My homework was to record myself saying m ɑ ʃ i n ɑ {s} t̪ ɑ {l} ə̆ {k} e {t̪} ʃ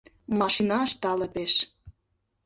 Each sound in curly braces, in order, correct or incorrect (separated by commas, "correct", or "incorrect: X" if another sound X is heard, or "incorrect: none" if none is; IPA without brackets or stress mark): incorrect: ʃ, correct, incorrect: p, incorrect: none